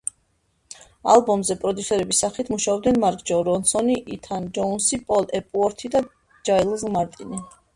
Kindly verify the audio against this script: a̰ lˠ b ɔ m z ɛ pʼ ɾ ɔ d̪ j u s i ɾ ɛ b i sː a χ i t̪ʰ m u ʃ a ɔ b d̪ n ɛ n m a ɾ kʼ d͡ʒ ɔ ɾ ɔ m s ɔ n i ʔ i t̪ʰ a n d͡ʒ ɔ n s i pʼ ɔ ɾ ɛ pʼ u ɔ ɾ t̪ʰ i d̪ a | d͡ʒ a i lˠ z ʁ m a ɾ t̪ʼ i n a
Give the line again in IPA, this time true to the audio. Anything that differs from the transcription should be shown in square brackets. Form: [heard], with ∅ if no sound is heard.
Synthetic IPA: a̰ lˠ b ɔ m z ɛ pʼ ɾ ɔ d̪ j u s [ɛ] ɾ ɛ b i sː a χ i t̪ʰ m u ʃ a ɔ b d̪ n ɛ n m a ɾ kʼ d͡ʒ ɔ ɾ ɔ [n] s ɔ n i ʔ i t̪ʰ a n d͡ʒ ɔ n s i pʼ ɔ [l] ɛ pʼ u ɔ ɾ t̪ʰ i d̪ a | d͡ʒ a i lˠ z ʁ m a ɾ t̪ʼ i n [i]